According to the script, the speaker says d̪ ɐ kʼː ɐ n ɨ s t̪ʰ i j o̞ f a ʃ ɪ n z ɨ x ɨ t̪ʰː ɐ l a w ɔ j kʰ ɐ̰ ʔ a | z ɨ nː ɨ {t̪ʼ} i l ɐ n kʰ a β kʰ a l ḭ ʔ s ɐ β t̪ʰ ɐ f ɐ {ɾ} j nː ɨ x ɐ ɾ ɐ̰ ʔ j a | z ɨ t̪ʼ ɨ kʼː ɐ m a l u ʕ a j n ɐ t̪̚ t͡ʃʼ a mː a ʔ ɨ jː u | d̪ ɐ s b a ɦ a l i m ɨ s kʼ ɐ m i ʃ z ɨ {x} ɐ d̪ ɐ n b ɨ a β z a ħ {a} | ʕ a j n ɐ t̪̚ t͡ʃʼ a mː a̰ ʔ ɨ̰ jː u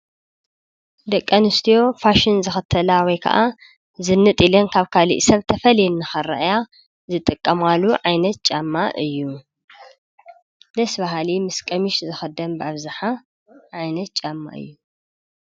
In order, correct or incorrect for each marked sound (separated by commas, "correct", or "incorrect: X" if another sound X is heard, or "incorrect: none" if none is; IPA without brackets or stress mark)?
correct, incorrect: l, correct, correct